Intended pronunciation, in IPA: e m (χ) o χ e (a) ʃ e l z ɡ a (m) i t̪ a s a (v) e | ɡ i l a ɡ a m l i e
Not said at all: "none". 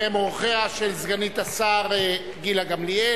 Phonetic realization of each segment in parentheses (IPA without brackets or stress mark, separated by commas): ʁ, a, n, ʁ